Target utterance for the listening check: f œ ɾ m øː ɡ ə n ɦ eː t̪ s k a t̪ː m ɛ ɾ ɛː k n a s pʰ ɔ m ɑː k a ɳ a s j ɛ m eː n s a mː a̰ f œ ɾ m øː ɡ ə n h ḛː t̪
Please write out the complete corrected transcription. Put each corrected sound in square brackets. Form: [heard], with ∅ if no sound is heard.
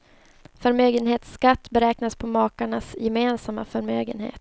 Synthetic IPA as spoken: f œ ɾ m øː ɡ ə n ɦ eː t̪ s k a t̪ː [b] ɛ ɾ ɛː k n a s pʰ ɔ m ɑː k a ɳ a s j ɛ m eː n s a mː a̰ f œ ɾ m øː ɡ ə n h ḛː t̪